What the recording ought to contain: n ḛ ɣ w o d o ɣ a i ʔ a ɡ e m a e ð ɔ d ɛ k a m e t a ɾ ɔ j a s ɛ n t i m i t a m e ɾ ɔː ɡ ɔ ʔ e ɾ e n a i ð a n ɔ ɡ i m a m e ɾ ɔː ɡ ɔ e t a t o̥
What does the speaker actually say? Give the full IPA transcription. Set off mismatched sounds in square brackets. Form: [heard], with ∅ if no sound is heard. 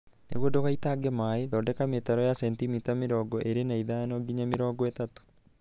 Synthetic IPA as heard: n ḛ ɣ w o d o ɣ a i [t] a ɡ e m a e ð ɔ d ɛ k a m e t a ɾ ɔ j a s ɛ n t i m i t a m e ɾ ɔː ɡ ɔ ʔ e ɾ e n a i ð a n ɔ ɡ i [ɲ] a m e ɾ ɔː ɡ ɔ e t a t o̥